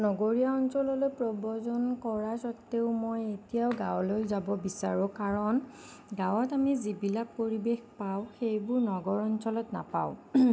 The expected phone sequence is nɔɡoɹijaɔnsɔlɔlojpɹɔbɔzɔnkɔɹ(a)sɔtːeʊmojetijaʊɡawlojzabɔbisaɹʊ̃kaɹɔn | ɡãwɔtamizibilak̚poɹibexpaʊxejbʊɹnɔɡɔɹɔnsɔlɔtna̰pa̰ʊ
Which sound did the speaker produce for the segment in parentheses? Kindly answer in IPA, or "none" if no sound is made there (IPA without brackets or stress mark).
a